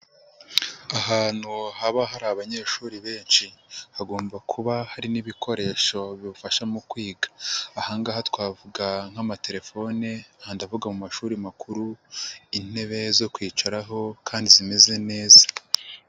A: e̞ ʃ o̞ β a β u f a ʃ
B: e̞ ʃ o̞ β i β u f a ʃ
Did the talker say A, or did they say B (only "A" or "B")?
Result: B